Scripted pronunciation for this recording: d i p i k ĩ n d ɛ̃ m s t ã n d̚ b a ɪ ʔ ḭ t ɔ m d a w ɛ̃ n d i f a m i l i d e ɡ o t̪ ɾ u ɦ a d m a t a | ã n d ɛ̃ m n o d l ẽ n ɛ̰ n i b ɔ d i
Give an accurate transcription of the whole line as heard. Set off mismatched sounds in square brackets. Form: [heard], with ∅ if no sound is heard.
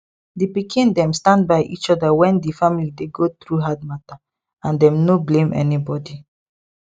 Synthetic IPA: d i p i k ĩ n d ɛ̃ m s t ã n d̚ b a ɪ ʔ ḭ [t͡ʃ] ɔ [∅] d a w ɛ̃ n d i f a m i l i d e ɡ o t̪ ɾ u ɦ a d m a t a | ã n d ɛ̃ m n o [b] l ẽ [m] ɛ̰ n i b ɔ d i